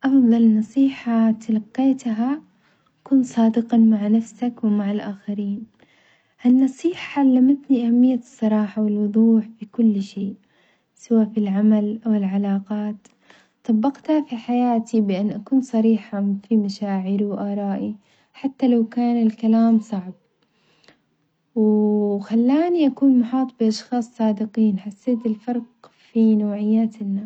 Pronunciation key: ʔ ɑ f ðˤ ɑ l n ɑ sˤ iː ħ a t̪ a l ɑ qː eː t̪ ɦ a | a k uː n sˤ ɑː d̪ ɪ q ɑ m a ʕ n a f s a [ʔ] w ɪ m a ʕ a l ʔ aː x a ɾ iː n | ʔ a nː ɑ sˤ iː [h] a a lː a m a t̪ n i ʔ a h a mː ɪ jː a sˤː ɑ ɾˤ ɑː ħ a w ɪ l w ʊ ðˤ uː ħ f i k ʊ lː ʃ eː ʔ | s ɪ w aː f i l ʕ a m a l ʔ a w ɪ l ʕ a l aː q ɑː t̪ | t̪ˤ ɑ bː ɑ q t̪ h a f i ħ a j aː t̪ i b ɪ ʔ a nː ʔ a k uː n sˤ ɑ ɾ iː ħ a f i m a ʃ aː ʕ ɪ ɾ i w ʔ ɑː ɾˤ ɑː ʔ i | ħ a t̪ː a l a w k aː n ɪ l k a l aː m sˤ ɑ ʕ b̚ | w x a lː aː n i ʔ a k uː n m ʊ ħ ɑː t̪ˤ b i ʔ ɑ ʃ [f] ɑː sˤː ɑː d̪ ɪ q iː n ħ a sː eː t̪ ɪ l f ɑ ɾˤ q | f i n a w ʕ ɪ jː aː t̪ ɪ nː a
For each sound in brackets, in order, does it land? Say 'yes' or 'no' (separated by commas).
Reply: no, no, no